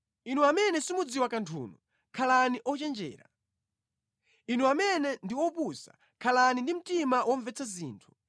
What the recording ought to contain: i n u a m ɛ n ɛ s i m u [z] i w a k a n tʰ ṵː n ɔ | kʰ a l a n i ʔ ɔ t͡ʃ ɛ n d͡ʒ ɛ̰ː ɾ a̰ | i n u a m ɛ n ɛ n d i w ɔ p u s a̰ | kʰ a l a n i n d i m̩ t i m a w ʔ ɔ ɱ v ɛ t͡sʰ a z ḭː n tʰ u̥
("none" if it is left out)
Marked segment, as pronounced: d͡z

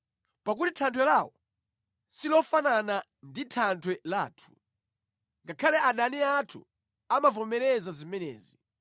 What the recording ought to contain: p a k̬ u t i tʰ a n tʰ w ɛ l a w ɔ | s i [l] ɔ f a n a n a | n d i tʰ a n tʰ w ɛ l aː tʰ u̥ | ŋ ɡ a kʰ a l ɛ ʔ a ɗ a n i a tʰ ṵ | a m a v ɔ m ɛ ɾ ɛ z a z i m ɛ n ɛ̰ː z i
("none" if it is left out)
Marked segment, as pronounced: l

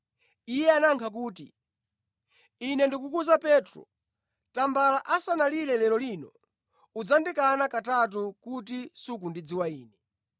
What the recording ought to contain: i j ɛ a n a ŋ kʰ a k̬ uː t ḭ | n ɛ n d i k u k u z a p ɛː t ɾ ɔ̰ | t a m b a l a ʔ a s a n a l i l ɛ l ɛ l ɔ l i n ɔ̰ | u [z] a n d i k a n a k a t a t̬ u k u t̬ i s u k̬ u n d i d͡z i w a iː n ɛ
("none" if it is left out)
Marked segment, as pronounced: d͡z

